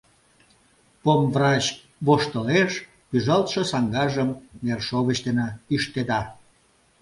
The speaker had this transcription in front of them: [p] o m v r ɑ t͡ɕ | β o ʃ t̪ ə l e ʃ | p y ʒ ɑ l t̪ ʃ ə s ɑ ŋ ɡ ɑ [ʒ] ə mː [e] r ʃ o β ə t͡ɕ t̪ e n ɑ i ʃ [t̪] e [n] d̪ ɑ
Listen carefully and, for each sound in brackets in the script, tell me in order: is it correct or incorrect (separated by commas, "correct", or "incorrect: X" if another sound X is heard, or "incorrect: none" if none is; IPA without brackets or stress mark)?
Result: correct, correct, correct, correct, incorrect: none